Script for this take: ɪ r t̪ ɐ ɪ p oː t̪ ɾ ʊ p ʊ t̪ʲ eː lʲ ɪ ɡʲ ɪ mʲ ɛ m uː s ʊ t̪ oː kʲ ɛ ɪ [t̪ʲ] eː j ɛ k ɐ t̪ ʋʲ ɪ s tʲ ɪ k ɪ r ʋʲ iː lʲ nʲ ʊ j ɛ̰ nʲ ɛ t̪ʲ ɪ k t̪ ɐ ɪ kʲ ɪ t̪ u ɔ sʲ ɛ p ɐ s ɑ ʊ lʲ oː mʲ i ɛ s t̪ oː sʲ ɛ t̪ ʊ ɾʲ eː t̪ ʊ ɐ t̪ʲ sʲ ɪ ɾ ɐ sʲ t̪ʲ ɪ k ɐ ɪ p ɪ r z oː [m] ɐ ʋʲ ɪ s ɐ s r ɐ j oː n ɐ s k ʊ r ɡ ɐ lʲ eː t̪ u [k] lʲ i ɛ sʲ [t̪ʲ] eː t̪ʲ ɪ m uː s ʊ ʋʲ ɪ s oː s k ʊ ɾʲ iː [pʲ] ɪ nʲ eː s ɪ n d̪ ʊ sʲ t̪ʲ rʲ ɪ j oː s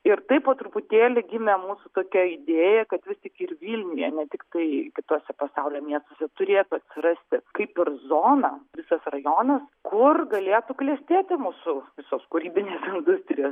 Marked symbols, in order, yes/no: no, no, yes, yes, no

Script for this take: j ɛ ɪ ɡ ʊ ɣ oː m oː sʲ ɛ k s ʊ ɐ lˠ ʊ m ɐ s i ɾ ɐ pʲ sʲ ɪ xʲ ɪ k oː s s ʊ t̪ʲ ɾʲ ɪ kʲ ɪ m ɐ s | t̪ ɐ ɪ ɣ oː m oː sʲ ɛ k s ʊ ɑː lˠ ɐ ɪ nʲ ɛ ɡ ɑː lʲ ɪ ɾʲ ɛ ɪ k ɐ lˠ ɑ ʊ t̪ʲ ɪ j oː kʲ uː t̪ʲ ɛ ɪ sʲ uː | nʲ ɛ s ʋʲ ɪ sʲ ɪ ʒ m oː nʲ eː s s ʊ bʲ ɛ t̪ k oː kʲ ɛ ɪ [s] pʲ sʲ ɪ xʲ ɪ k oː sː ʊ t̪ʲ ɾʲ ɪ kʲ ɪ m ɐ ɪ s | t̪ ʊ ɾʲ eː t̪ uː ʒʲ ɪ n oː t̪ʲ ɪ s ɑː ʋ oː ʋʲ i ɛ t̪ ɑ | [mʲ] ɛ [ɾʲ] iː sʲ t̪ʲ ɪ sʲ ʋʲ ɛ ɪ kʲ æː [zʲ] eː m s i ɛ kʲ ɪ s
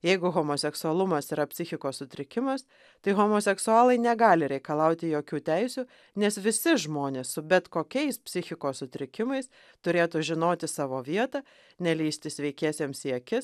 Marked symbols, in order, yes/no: yes, no, no, no

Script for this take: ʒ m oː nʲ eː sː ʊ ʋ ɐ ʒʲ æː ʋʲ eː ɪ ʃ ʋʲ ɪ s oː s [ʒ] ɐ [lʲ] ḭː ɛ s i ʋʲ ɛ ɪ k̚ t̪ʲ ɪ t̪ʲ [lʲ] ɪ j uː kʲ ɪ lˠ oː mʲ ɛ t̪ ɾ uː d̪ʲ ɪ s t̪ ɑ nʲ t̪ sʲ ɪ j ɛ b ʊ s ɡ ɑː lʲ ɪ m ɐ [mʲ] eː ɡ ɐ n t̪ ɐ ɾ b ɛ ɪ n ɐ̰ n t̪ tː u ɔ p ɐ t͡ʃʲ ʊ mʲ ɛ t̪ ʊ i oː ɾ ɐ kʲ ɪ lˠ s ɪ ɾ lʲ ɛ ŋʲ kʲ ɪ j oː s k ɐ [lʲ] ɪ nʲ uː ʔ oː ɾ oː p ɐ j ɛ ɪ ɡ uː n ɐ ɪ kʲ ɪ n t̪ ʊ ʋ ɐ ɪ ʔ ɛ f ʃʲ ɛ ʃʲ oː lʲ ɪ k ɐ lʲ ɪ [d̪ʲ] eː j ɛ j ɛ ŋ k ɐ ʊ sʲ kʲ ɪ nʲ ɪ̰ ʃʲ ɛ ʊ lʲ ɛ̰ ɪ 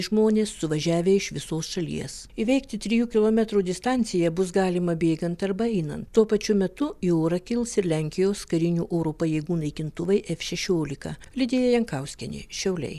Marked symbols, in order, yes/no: no, yes, no, no, no, yes

